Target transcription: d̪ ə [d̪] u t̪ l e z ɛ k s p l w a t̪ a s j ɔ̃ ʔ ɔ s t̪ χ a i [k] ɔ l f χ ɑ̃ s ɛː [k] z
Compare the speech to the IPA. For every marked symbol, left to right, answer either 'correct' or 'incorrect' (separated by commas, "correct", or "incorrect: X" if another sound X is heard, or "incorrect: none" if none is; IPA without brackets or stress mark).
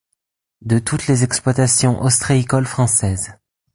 incorrect: t̪, correct, incorrect: none